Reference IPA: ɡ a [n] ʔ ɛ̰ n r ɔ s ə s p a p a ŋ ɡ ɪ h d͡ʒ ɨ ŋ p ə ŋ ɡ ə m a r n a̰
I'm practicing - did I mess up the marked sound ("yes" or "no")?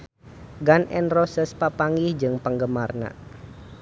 no